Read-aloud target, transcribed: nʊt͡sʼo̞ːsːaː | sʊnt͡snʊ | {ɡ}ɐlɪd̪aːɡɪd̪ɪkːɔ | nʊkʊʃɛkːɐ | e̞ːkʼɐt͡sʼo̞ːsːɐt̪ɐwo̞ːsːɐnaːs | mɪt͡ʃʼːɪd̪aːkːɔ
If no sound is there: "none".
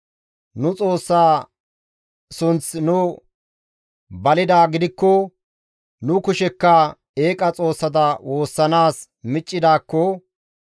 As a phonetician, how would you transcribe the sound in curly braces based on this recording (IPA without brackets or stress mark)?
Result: b